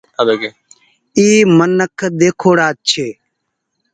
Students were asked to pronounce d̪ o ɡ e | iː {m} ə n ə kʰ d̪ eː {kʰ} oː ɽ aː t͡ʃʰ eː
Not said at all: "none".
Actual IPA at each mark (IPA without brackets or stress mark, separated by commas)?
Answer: m, kʰ